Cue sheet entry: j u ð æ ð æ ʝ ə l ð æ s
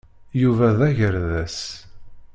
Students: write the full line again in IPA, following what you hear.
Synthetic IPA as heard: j u v æ ð æ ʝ ə ɾ ð æ s